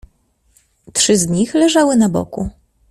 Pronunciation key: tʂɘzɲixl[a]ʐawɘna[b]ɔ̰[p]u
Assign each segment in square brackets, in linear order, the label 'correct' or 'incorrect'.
incorrect: ɛ, correct, incorrect: k

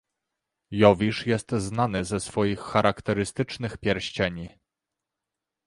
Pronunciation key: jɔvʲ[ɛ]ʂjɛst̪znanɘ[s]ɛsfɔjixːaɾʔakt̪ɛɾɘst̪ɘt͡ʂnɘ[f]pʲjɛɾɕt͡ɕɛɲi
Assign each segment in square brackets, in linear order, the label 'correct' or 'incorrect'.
incorrect: i, incorrect: z, incorrect: x

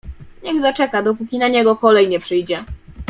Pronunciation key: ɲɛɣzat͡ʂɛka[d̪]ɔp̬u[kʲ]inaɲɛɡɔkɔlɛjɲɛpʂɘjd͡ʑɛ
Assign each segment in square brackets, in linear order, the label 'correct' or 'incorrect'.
correct, correct

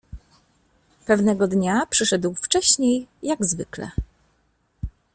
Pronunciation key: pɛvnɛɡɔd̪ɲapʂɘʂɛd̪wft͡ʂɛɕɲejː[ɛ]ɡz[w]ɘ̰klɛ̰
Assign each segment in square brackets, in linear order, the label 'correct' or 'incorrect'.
incorrect: a, incorrect: v

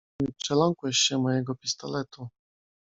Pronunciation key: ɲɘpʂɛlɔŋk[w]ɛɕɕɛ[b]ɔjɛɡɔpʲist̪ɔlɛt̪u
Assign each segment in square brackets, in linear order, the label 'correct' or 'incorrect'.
correct, incorrect: m

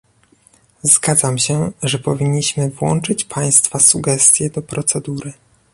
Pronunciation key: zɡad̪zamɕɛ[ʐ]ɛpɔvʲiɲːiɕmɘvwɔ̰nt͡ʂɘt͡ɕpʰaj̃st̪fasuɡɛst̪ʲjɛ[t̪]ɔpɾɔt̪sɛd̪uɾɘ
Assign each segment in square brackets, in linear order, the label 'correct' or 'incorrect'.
correct, incorrect: d̪

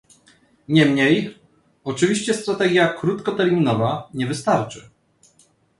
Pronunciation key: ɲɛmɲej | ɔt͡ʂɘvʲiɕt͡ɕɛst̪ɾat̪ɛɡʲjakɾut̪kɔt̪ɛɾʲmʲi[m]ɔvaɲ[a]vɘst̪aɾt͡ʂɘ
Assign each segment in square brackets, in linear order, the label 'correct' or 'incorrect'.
incorrect: n, incorrect: ɛ

